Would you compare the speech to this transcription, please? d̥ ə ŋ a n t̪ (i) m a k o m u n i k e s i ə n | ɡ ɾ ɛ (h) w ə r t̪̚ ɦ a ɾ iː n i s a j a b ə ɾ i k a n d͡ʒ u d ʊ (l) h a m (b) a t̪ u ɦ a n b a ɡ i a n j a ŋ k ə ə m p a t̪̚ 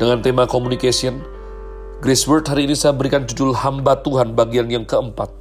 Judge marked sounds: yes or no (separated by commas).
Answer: no, no, yes, yes